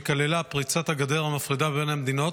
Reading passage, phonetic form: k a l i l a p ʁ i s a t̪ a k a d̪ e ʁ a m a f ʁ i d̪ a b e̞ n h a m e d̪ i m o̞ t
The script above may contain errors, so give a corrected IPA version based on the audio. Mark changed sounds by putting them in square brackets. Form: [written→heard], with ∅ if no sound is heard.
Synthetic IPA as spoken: k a l [i→e] l a p ʁ i [s→t͡s] a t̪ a [k→ɡ] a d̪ e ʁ a m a f ʁ i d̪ a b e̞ n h a m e d̪ i [m→n] o̞ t